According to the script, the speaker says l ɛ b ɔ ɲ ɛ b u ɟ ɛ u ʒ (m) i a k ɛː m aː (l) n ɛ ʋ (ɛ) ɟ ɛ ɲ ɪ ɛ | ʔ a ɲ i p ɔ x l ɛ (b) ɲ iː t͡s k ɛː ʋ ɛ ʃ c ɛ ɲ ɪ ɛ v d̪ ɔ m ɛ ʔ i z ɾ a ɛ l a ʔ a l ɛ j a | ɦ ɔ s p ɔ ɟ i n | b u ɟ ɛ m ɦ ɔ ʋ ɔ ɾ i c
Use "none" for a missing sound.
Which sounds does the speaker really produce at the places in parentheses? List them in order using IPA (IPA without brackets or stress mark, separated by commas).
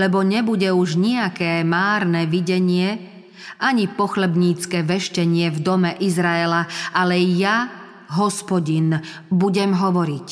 ɲ, ɾ, i, b